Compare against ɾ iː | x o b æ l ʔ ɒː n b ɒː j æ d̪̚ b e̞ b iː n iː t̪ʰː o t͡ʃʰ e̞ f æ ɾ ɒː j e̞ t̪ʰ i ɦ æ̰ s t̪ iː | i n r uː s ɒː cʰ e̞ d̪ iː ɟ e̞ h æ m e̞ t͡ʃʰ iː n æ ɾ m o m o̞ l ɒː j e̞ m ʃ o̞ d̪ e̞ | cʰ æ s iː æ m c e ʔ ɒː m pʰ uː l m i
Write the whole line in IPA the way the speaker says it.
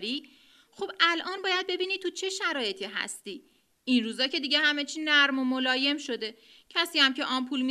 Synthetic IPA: ɾ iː | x o b æ l ʔ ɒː n b ɒː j æ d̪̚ b e̞ b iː n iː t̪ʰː u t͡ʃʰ e̞ ʃ æ ɾ ɒː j e̞ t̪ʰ i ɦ æ̰ s t̪ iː | i n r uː z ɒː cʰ e̞ d̪ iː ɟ e̞ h æ m e̞ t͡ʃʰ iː n æ ɾ m o m o̞ l ɒː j e̞ m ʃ o̞ d̪ e̞ | cʰ æ s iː æ m c e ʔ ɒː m pʰ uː l m i